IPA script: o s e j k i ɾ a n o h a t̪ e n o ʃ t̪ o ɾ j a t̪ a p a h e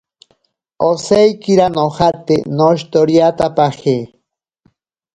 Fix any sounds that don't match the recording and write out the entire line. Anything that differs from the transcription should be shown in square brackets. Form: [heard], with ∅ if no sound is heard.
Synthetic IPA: o s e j k i ɾ a n o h a t̪ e n o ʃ t̪ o ɾ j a t̪ a p a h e